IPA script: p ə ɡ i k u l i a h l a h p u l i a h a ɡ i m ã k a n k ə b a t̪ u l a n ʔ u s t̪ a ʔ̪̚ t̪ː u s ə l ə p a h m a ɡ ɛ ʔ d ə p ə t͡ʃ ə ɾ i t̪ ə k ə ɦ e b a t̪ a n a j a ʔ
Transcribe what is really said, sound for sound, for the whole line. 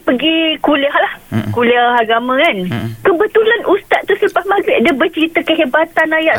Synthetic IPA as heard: p ə ɡ i k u l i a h l a h k u l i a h a ɡ a m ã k a n k ə b ə t̪ u l a n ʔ u s t̪ a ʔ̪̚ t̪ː u s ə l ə p a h m a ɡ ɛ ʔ d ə b ə t͡ʃ ə ɾ i t̪ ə k ə ɦ e b a t̪ a n a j a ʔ